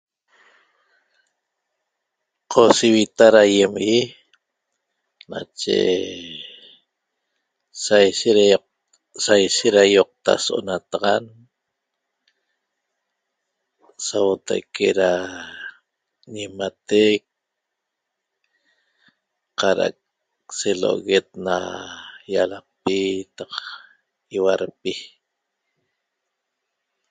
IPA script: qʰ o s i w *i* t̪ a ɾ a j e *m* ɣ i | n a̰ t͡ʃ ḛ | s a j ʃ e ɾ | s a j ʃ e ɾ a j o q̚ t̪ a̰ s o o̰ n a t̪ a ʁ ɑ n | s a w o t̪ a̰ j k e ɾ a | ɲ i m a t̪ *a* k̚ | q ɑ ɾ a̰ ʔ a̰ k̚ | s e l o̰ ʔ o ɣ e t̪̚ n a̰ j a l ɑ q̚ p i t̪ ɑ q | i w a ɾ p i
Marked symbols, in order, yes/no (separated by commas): yes, yes, no